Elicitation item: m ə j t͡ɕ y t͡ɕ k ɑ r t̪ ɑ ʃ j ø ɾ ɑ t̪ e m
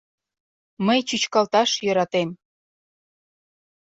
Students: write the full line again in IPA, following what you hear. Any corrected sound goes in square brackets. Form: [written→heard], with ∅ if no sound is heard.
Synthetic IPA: m ə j t͡ɕ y t͡ɕ k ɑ [r→l] t̪ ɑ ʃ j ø ɾ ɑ t̪ e m